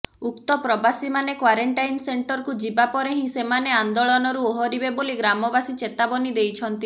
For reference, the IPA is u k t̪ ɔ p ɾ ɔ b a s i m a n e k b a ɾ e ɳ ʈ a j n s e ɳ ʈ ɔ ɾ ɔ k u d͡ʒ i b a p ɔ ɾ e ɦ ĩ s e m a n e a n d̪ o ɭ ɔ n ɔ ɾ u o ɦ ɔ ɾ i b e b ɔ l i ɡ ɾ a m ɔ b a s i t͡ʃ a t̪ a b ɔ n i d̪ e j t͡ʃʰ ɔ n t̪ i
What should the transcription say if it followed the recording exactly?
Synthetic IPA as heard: u k t̪ ɔ p ɾ ɔ b a s i m a n e k w a ɾ e ɳ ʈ a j n s e ɳ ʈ ɔ ɾ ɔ k u d͡ʒ i b a p ɔ ɾ e ɦ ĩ s e m a n e a n d̪ o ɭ ɔ n ɔ ɾ u o ɦ ɔ ɾ i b e b o l i ɡ ɾ a m ɔ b a s i t͡ʃ e t̪ a b ɔ n i d̪ e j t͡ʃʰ ɔ n t̪ i

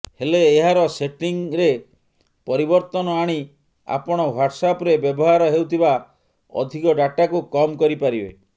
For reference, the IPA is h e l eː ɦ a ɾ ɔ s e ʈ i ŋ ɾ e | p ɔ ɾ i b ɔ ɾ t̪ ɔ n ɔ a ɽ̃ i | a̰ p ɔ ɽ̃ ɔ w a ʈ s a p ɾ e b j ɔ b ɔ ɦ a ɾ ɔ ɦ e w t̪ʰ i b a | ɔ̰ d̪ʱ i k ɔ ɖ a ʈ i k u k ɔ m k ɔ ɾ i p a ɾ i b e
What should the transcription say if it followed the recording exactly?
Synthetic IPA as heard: h e l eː ɦ a ɾ ɔ s e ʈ i ŋ ɾ e | p ɔ ɾ i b ɔ ɾ t̪ ɔ n ɔ a ɽ̃ i | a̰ p ɔ ɽ̃ ɔ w a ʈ s a p ɾ e b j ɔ b ɔ ɦ a ɾ ɔ ɦ e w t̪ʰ i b a | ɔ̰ d̪ʱ i k ɔ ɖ a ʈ a k u k ɔ m k ɔ ɾ i p a ɾ i b e

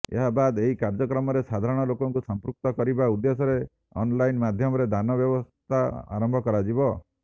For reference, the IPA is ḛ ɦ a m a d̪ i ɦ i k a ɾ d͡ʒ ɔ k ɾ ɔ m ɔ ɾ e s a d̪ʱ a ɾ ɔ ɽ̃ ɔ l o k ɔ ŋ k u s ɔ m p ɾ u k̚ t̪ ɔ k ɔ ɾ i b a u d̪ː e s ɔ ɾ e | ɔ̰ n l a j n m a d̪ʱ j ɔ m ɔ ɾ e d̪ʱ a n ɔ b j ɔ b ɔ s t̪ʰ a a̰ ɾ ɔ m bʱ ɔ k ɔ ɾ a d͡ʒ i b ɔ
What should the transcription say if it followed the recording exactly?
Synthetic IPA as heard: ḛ ɦ a b a d̪ e ɦ i k a ɾ d͡ʒ ɔ k ɾ ɔ m ɔ ɾ e s a d̪ʱ a ɾ ɔ ɽ̃ ɔ l o k ɔ ŋ k u s ɔ m p ɾ u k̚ t̪ ɔ k ɔ ɾ i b a u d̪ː e s ɔ ɾ e | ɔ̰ n l a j n m a d̪ʱ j ɔ m ɔ ɾ e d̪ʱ a n ɔ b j ɔ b ɔ s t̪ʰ a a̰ ɾ ɔ m bʱ ɔ k ɔ ɾ a d͡ʒ i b ɔ

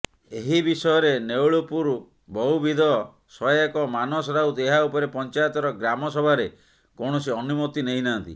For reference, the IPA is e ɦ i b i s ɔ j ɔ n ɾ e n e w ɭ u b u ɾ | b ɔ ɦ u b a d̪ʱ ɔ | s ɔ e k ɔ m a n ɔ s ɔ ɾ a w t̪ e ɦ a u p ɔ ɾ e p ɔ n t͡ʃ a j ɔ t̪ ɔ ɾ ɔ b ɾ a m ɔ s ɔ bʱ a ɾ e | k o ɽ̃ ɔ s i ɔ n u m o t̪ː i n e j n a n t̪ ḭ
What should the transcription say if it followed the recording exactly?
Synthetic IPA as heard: e ɦ i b i s ɔ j ɔ ɾ e n e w ɭ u p u ɾ | b ɔ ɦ u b i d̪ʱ ɔ | s ɔ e k ɔ m a n ɔ s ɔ ɾ a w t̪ e ɦ a u p ɔ ɾ e p ɔ n t͡ʃ a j ɔ t̪ ɔ ɾ ɔ ɡ ɾ a m ɔ s ɔ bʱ a ɾ e | k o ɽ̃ ɔ s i ɔ n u m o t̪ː i n e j n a n t̪ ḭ

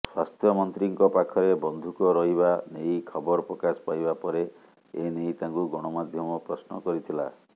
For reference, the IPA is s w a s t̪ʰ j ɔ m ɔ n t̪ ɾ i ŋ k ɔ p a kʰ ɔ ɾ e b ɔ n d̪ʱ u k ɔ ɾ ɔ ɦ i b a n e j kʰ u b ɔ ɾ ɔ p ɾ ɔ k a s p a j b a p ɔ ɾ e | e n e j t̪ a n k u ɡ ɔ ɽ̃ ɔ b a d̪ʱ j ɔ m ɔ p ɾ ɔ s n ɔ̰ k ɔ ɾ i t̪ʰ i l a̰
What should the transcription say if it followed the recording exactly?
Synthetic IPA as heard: s w a s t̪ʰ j ɔ m ɔ n t̪ ɾ i ŋ k ɔ p a kʰ ɔ ɾ e b ɔ n d̪ʱ u k ɔ ɾ ɔ ɦ i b a n e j kʰ ɔ b ɔ ɾ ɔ p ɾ ɔ k a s p a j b a p ɔ ɾ e | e n e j t̪ a ŋ k u ɡ ɔ ɽ̃ ɔ m a d̪ʱ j ɔ m ɔ p ɾ ɔ s n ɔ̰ k ɔ ɾ i t̪ʰ i l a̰

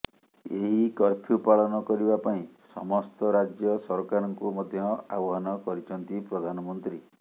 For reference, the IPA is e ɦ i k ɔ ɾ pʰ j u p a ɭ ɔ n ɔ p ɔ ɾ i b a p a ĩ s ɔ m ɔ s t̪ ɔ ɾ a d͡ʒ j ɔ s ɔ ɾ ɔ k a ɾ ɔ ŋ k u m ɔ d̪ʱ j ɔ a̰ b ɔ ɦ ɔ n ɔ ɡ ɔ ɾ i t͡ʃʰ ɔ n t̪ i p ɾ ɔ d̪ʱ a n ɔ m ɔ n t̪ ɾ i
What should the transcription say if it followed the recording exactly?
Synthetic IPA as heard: e ɦ i k ɔ ɾ pʰ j u p a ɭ ɔ n ɔ k ɔ ɾ i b a p a ĩ s ɔ m ɔ s t̪ ɔ ɾ a d͡ʒ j ɔ s ɔ ɾ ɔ k a ɾ ɔ ŋ k u m ɔ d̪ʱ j ɔ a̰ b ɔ ɦ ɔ n ɔ k ɔ ɾ i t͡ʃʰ ɔ n t̪ i p ɾ ɔ d̪ʱ a n ɔ m ɔ n t̪ ɾ i

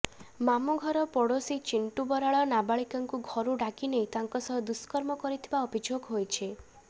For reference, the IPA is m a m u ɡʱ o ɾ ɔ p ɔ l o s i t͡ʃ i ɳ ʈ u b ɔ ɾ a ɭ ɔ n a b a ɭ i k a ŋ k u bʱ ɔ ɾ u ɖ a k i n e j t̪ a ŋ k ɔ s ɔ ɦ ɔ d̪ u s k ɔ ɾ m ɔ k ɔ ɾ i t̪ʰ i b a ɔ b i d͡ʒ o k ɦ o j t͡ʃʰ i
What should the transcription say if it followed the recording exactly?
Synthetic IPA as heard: m a m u ɡʱ ɔ ɾ ɔ p ɔ ɽ o s i t͡ʃ i ɳ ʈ u b ɔ ɾ a ɭ ɔ n a b a ɭ i k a ŋ k u ɡʱ ɔ ɾ u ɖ a k i n e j t̪ a ŋ k ɔ s ɔ ɦ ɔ d̪ u s k ɔ ɾ m ɔ k ɔ ɾ i t̪ʰ i b a ɔ b i d͡ʒ o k ɦ o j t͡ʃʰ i

